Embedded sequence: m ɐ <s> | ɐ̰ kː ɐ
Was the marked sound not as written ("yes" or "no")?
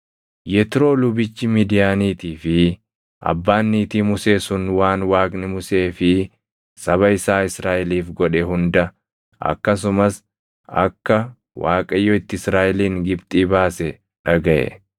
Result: no